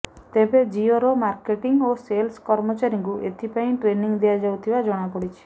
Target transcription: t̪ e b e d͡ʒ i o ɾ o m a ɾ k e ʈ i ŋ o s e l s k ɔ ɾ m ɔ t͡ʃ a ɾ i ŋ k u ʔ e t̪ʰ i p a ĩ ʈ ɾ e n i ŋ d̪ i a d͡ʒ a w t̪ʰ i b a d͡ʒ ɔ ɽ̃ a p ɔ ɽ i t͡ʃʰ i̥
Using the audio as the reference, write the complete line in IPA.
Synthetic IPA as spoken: t̪ e b e d͡ʒ i o ɾ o m a ɾ k e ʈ i ŋ o s e l s k ɔ ɾ m ɔ t͡ʃ a ɾ i ŋ k u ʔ e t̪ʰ i p a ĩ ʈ ɾ e n i ŋ d̪ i a d͡ʒ a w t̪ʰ i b a d͡ʒ ɔ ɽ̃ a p ɔ ɽ i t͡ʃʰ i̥